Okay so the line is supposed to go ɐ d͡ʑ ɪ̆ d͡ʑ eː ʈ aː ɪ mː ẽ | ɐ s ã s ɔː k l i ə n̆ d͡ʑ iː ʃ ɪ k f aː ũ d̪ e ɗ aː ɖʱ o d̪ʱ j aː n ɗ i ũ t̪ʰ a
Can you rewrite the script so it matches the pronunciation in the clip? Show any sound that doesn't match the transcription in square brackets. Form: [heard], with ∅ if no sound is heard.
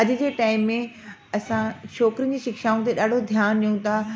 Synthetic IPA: ɐ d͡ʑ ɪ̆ d͡ʑ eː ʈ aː ɪ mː ẽ | ɐ s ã [ʃ] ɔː k [ɾ] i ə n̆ d͡ʑ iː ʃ ɪ k [ʃ] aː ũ [t̪] e ɗ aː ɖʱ o d̪ʱ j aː n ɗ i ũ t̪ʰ a

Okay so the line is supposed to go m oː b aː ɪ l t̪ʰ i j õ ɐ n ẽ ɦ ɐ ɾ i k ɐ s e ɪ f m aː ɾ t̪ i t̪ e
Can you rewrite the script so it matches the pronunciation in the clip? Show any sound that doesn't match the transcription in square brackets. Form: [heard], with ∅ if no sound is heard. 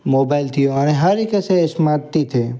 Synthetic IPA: m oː b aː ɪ l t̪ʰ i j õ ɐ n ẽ ɦ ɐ ɾ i k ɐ s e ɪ [s] m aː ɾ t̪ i [t̪ʰ] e

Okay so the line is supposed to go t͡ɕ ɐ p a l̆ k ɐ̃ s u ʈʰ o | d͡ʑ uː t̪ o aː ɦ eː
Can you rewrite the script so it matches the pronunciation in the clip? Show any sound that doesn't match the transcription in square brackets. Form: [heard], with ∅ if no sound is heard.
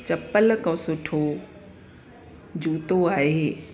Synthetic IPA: t͡ɕ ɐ p [ə] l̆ k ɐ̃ s [ʊ] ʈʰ o | d͡ʑ uː t̪ o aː ɦ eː

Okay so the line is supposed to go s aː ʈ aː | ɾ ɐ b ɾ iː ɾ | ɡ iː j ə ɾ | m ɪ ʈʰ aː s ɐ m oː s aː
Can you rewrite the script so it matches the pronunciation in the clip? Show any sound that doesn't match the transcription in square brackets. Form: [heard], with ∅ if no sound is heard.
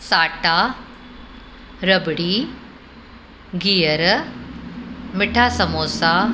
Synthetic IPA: s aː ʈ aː | ɾ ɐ b [ɽ] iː [∅] | ɡ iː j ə ɾ | m ɪ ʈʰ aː s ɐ m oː s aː

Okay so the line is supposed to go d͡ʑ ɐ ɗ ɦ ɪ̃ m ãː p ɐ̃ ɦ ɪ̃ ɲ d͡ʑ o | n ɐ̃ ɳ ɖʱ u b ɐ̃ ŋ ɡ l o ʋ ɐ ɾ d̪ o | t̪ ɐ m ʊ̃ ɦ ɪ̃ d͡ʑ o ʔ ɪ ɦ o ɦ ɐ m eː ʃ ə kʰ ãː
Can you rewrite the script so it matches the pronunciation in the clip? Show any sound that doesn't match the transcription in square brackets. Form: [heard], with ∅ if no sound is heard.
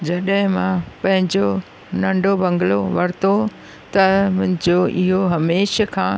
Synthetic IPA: d͡ʑ ɐ ɗ ɦ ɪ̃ m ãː p ɐ̃ ɦ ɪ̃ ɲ d͡ʑ o | n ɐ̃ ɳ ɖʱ [o] b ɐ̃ ŋ ɡ l o ʋ ɐ ɾ [t̪] o | t̪ ɐ m ʊ̃ ɦ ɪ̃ d͡ʑ o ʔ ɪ ɦ o ɦ ɐ m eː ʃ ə kʰ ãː

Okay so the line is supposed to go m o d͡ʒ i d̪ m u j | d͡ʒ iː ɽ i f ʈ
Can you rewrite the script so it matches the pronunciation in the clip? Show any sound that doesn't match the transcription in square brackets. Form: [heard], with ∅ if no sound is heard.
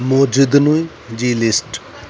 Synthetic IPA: m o d͡ʒ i d̪ [n] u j | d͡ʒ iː [l] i [s] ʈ

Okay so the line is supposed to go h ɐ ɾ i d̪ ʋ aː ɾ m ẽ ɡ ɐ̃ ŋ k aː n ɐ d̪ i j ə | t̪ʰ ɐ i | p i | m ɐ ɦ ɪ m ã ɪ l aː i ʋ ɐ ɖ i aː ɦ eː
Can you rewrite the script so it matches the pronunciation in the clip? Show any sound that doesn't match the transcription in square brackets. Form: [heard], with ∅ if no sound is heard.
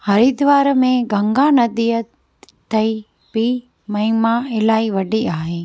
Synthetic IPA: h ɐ ɾ i d̪ ʋ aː ɾ m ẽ ɡ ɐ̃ ŋ [ɡ] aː n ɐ d̪ i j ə | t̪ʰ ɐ i | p i | m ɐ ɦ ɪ m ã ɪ l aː i ʋ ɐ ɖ i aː ɦ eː

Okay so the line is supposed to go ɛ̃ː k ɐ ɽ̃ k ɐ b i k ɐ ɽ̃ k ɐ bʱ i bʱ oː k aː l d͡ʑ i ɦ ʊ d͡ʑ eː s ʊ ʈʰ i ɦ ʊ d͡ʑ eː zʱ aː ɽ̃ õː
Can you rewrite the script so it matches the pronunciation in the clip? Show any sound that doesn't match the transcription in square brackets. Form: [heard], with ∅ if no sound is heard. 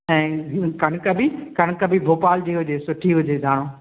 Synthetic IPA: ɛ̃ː k ɐ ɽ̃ k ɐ b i k ɐ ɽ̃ k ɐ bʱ i bʱ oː [p] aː l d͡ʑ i ɦ ʊ d͡ʑ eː s ʊ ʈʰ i ɦ ʊ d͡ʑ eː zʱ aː ɽ̃ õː

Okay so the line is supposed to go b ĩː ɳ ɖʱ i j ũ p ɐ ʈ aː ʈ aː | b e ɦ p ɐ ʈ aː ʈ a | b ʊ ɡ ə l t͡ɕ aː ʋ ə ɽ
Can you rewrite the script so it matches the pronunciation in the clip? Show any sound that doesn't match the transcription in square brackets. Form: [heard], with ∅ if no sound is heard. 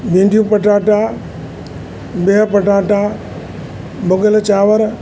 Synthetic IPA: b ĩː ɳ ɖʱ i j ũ p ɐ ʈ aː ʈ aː | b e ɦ p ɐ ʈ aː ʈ a | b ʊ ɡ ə l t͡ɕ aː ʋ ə [ɾ]

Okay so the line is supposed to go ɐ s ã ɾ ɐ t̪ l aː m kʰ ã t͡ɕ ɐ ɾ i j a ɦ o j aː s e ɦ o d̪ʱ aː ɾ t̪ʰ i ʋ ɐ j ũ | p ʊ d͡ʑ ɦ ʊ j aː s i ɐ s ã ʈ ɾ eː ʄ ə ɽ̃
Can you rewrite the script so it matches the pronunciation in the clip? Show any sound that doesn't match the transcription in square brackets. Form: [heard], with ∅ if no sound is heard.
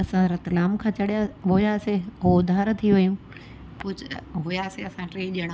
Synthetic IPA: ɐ s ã ɾ ɐ t̪ l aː m kʰ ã t͡ɕ ɐ [ɽ] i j a ɦ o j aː s e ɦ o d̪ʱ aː ɾ t̪ʰ i ʋ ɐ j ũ | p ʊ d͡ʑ ɦ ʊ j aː s [e] ɐ s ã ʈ ɾ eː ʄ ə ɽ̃

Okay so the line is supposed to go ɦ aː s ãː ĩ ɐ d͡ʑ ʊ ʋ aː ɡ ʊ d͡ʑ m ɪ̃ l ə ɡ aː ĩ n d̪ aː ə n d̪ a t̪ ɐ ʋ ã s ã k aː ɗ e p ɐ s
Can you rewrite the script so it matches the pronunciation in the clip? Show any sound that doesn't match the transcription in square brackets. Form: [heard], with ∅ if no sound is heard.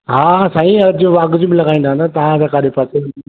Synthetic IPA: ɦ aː s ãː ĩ ɐ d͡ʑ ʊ ʋ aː ɡ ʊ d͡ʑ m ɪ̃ l [ɐ] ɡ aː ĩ n d̪ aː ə n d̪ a t̪ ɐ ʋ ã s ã k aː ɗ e p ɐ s

